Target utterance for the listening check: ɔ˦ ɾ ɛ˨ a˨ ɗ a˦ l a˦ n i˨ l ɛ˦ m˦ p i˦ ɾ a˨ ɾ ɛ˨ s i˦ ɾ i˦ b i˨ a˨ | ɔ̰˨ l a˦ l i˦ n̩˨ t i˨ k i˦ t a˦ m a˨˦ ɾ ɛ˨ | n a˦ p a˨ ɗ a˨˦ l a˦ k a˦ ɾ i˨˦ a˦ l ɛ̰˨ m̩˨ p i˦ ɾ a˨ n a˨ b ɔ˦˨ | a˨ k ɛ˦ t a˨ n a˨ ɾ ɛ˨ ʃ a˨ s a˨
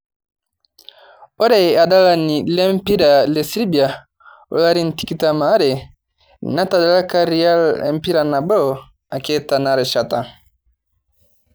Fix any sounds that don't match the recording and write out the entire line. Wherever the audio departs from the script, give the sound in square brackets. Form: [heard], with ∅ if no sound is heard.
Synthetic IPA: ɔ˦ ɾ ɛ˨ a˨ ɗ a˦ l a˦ n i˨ l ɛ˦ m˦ p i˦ ɾ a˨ [l] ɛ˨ s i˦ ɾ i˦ b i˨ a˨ | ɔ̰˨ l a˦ [ɾ] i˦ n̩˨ t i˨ k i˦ t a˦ m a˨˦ ɾ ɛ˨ | n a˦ [t] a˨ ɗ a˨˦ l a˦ k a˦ ɾ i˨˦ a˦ l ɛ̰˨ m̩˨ p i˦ ɾ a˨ n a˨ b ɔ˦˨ | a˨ k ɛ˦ t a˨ n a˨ ɾ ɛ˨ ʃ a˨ [t] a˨

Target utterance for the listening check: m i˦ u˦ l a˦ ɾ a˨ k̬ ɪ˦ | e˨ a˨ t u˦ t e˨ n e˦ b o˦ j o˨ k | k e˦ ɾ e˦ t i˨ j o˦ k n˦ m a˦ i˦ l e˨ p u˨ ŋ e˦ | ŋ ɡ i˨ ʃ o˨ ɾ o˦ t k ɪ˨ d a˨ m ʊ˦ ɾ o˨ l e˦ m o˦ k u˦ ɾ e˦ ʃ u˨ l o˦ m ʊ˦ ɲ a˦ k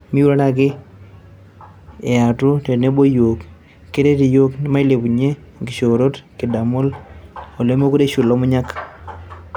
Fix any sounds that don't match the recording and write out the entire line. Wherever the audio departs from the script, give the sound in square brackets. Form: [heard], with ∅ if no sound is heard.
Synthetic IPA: m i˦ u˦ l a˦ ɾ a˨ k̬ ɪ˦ | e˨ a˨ t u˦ t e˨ n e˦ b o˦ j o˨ k | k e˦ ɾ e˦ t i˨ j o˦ k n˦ m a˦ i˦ l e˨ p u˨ [ɲ] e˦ | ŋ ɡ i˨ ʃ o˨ ɾ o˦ t k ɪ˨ d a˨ m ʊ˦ [l] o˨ l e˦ m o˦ k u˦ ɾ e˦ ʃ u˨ l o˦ m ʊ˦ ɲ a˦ k

